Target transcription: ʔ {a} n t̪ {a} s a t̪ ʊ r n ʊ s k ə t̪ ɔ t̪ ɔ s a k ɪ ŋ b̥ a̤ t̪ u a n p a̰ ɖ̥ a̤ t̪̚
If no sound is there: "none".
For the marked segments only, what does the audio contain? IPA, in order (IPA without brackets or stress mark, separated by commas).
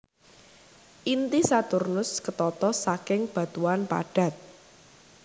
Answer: i, i